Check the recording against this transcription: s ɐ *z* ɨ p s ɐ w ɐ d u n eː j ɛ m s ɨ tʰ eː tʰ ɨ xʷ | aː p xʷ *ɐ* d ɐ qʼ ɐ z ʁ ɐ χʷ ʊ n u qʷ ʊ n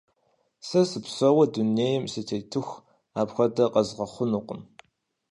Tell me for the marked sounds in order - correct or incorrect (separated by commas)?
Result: incorrect, correct